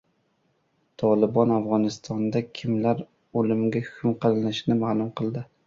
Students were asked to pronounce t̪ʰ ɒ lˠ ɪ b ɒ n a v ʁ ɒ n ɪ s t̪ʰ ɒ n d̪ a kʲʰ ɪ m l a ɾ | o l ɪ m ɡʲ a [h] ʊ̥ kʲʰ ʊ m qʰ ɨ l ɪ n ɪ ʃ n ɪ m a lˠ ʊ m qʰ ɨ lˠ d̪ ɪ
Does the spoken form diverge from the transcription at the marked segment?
no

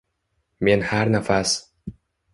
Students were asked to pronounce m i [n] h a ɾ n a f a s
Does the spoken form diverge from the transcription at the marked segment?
no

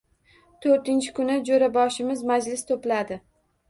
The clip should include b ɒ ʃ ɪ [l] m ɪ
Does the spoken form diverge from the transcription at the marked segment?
yes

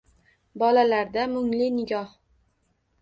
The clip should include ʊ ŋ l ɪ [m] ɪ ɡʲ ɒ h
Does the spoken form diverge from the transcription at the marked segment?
yes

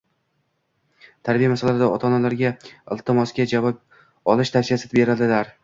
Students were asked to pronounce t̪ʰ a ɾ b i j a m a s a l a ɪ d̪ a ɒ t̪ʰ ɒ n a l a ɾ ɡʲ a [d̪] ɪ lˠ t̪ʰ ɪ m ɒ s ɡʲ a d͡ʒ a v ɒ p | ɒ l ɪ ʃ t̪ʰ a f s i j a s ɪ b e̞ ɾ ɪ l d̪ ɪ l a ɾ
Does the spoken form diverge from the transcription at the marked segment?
yes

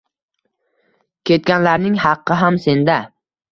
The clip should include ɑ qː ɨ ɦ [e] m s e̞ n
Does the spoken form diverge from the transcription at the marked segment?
yes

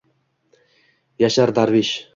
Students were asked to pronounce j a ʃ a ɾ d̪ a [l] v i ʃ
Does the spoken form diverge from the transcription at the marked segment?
yes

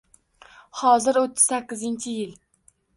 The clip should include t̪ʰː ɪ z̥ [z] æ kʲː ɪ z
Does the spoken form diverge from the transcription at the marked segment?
yes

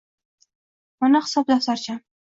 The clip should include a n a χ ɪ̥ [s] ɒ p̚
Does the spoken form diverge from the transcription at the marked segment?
no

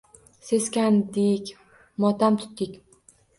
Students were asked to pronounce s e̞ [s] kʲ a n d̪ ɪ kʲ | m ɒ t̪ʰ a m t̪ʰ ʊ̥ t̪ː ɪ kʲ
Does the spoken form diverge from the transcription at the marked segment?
no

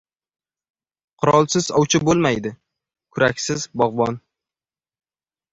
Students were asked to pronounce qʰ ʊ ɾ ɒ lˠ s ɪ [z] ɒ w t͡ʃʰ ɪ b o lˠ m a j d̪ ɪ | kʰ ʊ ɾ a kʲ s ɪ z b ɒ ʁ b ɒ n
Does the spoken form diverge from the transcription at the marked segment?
no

